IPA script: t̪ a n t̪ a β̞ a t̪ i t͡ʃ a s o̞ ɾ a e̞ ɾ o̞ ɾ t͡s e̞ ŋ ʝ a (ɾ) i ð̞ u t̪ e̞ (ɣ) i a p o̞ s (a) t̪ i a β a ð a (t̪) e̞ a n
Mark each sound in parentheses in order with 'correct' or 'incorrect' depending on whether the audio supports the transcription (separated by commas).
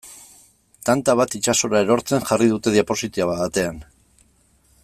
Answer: incorrect, incorrect, incorrect, correct